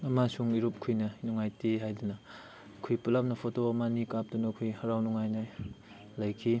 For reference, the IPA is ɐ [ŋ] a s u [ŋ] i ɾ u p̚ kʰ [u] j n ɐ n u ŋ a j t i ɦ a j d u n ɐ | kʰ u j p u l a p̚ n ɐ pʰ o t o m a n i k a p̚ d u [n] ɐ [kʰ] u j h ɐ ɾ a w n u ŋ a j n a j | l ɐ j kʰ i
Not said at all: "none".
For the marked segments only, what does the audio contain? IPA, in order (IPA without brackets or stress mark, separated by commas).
m, ŋ, u, n, kʰ